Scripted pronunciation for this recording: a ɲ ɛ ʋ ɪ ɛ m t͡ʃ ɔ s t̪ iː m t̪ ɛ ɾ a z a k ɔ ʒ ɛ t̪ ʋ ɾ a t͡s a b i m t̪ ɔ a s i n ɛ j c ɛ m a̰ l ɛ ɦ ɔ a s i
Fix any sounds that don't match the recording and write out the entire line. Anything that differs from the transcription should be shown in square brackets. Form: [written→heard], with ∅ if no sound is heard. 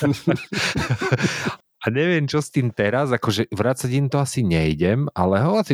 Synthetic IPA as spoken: a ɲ ɛ ʋ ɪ ɛ m t͡ʃ ɔ s t̪ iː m t̪ ɛ ɾ a z a k ɔ ʒ ɛ [t̪→∅] ʋ ɾ a t͡s a [b→ɟ] i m t̪ ɔ a s i [n→ɲ] ɛ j [c→ɟ] ɛ m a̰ l ɛ ɦ ɔ a s i